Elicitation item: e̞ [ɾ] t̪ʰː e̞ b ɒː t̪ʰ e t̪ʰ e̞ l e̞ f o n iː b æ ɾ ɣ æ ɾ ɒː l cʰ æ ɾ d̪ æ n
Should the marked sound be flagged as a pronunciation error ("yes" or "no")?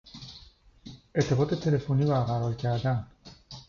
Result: no